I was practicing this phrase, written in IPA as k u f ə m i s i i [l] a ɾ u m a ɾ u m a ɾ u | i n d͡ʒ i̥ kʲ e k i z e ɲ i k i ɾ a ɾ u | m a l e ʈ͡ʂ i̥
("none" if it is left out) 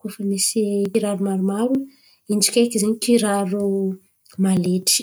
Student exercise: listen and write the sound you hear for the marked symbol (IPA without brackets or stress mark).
ɾ